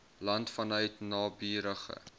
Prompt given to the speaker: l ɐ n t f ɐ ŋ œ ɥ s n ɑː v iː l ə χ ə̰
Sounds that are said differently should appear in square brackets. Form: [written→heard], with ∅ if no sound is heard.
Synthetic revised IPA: l ɐ n t f ɐ [ŋ→n] œ ɥ [s→t] n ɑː [v→b] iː [l→ɾ] ə χ ə̰